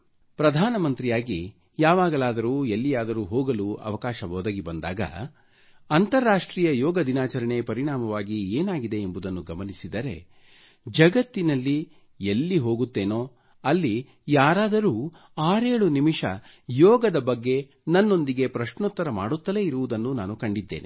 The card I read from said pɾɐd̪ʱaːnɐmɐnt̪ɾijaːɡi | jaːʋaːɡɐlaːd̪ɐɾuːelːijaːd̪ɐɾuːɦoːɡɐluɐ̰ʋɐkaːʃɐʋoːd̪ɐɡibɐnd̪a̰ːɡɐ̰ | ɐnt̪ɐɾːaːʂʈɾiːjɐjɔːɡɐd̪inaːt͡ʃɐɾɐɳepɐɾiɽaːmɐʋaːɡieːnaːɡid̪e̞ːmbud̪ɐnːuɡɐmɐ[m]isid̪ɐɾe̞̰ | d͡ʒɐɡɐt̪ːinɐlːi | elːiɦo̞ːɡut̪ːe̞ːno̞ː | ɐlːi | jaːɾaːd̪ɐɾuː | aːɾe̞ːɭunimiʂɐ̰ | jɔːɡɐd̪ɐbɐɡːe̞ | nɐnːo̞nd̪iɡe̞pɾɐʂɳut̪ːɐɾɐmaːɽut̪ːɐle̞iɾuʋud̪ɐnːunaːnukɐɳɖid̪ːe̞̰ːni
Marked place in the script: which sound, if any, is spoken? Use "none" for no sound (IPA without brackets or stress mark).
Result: n